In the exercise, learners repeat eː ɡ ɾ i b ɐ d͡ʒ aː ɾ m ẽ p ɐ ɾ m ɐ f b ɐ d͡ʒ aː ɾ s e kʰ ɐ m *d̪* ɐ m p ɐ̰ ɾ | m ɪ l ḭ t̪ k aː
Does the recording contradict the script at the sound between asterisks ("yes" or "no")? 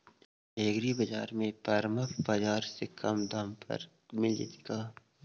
no